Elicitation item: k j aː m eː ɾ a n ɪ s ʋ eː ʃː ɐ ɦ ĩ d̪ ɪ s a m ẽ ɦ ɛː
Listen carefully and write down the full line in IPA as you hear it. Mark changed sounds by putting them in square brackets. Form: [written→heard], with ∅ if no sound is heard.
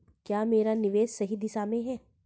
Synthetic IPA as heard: k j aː m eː ɾ a n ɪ [s→∅] ʋ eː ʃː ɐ ɦ [ĩ→i] d̪ ɪ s a m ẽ ɦ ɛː